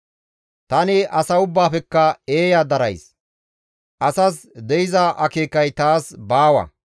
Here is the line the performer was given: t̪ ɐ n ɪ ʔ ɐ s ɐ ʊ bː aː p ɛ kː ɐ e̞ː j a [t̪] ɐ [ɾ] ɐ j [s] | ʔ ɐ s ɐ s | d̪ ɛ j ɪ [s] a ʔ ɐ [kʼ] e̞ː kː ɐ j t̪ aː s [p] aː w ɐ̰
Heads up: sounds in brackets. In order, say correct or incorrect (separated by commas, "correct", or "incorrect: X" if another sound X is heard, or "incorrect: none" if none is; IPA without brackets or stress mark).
incorrect: d̪, correct, correct, incorrect: z, incorrect: k, incorrect: b